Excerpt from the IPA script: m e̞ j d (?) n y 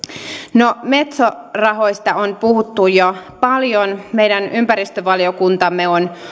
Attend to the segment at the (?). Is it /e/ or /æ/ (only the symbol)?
æ